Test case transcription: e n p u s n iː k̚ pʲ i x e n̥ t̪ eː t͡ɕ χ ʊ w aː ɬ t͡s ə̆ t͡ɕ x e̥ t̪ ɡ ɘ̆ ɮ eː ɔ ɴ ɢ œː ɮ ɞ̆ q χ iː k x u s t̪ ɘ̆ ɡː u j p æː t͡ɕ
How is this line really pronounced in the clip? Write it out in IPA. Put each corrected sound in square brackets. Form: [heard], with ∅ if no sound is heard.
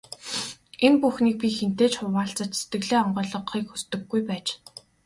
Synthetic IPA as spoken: e n p u [x] n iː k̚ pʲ i x e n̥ t̪ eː t͡ɕ χ ʊ w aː ɬ t͡s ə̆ t͡ɕ [s] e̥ t̪ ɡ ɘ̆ ɮ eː ɔ ɴ ɢ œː ɮ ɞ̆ q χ iː k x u s t̪ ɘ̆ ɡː u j p æː t͡ɕ